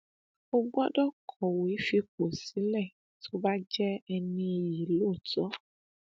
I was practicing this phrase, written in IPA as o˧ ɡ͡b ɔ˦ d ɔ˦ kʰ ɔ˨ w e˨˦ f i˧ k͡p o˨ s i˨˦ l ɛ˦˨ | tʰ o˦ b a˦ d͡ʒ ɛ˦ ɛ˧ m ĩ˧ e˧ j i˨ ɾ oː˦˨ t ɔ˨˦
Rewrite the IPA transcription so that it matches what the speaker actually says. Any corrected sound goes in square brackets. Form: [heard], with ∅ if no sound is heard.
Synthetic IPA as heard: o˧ ɡ͡b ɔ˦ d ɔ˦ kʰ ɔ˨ w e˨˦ f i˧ k͡p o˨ s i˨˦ l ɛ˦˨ | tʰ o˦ b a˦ d͡ʒ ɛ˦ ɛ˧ [n] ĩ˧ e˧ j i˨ [l] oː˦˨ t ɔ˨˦